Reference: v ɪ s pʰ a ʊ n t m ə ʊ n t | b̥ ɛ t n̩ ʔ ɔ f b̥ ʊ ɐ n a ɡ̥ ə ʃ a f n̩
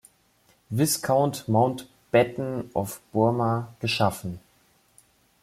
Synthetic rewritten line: v ɪ s kʰ a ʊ n t m a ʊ n t | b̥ ɛ t n̩ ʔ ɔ f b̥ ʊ ɐ m a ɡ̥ ə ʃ a f n̩